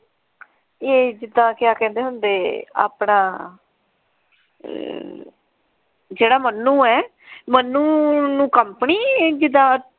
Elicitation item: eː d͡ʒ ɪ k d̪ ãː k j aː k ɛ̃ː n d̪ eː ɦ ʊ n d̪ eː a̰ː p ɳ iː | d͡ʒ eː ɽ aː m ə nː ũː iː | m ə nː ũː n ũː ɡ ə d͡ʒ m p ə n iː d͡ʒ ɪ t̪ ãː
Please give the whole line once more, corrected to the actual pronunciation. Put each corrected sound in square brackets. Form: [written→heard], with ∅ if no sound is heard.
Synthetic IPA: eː d͡ʒ ɪ [k→∅] d̪ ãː k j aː k ɛ̃ː n d̪ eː ɦ ʊ n d̪ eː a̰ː p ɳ [iː→aː] | d͡ʒ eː ɽ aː m ə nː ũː [iː→ɛː] | m ə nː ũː n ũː [ɡ→k] ə [d͡ʒ→∅] m p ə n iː d͡ʒ ɪ [t̪→d̪] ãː